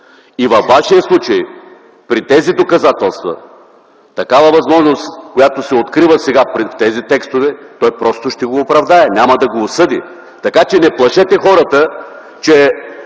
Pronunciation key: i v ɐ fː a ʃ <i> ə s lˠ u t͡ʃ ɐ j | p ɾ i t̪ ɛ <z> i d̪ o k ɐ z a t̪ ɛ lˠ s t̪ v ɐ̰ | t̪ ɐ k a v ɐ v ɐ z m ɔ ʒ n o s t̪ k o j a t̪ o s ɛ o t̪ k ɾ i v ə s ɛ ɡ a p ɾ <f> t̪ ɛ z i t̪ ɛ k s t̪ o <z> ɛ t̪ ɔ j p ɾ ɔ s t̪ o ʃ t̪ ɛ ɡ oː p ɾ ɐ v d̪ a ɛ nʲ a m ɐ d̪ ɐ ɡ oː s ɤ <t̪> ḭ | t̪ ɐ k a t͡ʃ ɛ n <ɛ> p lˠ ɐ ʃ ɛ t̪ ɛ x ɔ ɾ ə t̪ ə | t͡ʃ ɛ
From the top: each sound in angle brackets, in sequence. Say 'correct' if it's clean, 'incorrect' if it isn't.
correct, correct, correct, incorrect: v, incorrect: d̪, correct

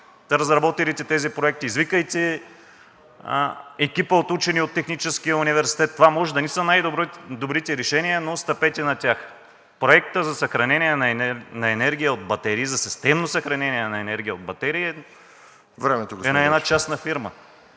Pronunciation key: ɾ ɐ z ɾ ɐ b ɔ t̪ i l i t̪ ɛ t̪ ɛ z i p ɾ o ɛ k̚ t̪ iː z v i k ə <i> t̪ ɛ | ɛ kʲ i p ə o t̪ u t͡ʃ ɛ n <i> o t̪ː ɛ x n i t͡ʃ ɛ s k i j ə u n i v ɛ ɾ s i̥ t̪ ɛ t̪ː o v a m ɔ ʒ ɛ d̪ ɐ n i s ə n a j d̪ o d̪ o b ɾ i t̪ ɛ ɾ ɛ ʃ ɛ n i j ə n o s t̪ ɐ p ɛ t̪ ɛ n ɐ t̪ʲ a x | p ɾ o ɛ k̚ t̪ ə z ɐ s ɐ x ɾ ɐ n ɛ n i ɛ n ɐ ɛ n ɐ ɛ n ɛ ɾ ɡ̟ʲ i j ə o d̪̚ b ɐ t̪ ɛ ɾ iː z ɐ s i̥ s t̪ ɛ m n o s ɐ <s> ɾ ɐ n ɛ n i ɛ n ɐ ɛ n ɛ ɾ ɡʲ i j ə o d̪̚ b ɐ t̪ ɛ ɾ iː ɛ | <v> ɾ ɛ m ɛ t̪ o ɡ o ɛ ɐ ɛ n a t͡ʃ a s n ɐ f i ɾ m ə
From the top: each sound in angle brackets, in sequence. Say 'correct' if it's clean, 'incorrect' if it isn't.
incorrect: j, correct, incorrect: x, correct

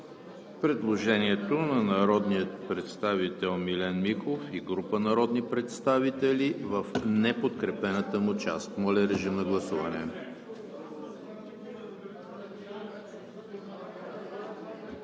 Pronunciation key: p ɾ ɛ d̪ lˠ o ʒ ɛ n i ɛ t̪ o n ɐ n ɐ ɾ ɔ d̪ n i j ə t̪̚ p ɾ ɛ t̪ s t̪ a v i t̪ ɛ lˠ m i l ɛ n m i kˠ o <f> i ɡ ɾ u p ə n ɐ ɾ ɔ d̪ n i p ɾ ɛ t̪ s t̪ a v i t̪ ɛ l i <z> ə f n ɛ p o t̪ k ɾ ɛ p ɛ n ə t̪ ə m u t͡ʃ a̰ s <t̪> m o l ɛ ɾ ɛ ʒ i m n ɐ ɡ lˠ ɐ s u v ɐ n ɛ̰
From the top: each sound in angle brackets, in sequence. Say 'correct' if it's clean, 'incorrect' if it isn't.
correct, incorrect: v, correct

